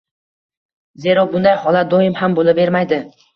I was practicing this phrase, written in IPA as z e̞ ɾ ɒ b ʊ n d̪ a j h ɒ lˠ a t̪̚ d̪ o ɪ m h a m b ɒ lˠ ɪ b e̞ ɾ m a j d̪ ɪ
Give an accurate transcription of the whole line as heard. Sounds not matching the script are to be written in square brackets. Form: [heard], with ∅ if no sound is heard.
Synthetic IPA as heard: z e̞ ɾ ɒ b ʊ n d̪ a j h ɒ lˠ a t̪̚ d̪ o ɪ m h a m b [o] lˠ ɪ b e̞ ɾ m a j d̪ ɪ